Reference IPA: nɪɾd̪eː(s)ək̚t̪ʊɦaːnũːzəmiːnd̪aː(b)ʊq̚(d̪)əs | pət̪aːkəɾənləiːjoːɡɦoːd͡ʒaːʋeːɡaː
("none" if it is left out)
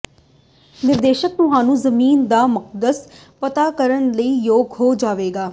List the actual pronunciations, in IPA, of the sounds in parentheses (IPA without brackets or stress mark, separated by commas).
ʃ, m, d̪